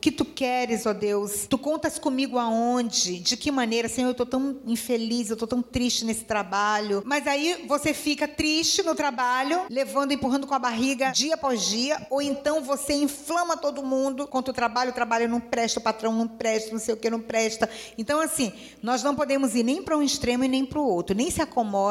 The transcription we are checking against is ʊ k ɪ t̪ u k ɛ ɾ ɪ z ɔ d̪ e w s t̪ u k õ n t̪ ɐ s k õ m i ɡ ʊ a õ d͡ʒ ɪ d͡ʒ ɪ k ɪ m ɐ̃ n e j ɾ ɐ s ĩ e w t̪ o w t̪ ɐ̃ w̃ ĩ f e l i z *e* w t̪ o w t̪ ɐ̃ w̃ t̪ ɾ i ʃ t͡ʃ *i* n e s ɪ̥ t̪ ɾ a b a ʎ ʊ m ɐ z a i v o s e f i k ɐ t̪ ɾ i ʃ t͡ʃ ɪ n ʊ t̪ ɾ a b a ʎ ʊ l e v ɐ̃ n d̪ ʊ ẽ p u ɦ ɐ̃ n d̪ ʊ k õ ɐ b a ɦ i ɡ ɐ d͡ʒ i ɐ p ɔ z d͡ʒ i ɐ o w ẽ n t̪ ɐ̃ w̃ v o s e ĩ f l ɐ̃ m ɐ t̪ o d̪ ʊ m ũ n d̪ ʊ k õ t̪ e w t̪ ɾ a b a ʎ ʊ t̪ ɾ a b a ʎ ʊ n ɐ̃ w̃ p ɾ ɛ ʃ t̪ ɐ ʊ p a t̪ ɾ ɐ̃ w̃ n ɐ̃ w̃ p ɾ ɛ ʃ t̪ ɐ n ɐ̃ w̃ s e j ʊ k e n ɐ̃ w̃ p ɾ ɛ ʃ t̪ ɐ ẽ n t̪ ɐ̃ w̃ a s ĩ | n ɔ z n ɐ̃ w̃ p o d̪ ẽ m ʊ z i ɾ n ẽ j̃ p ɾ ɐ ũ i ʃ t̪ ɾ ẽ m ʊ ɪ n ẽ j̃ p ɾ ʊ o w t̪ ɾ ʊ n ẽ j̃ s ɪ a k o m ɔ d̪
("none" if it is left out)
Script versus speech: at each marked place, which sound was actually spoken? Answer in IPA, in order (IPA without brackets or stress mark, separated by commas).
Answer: e, ɪ